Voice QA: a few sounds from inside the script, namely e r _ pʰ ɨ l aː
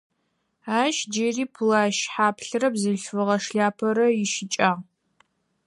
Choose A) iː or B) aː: A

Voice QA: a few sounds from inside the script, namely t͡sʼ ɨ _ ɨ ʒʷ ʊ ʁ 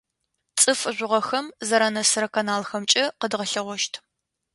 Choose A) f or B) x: A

